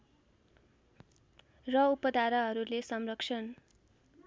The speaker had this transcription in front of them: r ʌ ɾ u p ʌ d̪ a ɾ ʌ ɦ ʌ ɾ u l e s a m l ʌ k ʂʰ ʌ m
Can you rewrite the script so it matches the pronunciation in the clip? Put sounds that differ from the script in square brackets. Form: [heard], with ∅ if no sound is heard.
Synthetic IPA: r ʌ [∅] u p ʌ d̪ a ɾ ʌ ɦ ʌ ɾ u l e s [ʌ] m [r] ʌ k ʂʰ ʌ [n]